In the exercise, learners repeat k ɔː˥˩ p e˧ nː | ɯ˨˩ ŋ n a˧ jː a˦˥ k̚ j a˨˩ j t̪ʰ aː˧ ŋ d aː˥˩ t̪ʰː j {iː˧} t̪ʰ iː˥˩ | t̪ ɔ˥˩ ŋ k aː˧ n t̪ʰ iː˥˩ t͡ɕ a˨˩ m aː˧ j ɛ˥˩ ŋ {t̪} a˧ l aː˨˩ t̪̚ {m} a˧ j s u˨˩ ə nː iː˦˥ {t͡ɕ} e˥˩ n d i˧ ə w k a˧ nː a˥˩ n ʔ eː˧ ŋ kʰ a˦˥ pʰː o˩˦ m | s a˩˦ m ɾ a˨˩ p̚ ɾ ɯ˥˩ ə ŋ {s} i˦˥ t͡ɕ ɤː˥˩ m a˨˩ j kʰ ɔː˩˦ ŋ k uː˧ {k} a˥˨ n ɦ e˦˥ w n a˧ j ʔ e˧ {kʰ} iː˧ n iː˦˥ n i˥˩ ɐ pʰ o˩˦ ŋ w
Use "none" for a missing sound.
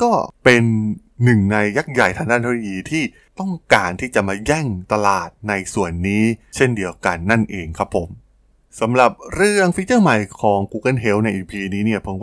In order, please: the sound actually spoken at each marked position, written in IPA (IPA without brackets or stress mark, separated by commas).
iː˧, t̪, n, t͡ɕʰ, f, k, pʰ